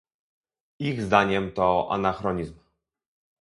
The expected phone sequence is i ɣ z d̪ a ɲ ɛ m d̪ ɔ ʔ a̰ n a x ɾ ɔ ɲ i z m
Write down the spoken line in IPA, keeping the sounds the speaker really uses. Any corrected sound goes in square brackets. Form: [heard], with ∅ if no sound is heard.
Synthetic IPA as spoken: i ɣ z d̪ a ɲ ɛ m [t̪] ɔ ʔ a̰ n a x ɾ ɔ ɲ i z m

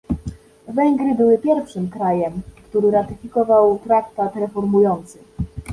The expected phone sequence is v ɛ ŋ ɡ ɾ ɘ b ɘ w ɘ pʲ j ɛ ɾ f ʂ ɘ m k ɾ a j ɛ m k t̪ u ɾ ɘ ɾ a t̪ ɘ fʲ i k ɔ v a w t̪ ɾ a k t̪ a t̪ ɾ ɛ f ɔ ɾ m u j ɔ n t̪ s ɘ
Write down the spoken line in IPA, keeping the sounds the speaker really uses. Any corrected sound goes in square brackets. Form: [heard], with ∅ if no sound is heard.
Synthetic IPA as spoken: v ɛ ŋ ɡ ɾ ɘ b ɘ w ɘ pʲ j ɛ ɾ f ʂ ɘ m k ɾ a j ɛ m k t̪ u ɾ ɘ ɾ a t̪ ɘ fʲ i k ɔ v a w t̪ ɾ a k t̪ a t̪ ɾ ɛ f ɔ ɾ m u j ɔ n t̪ s ɘ

